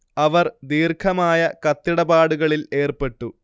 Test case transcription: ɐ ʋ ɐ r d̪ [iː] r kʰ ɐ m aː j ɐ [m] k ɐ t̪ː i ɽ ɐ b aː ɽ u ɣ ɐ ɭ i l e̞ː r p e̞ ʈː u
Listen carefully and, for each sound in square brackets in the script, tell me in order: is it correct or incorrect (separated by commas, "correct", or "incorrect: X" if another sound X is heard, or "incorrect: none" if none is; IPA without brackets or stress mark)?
correct, incorrect: none